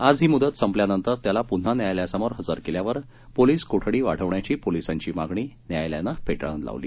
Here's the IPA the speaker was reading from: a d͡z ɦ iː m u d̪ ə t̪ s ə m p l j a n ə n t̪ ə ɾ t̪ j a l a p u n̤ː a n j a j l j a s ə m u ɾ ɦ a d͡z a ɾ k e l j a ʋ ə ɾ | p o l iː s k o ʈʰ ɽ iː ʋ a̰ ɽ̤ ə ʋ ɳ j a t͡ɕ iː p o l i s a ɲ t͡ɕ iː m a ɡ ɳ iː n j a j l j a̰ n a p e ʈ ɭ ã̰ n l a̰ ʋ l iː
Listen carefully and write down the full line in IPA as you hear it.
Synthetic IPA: a d͡z ɦ iː m u d̪ ə t̪ s ə m p l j a n ə n t̪ ə ɾ t̪ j a l a p u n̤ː a n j a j l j a s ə m o ɾ ɦ ə d͡z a ɾ k e l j a ʋ ə ɾ | p o l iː s k o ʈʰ ɽ iː ʋ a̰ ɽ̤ ə ʋ ɳ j a t͡ɕ iː p o l i s a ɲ t͡ɕ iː m a ɡ ɳ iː n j a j l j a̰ n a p e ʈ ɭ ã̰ n l a̰ ʋ l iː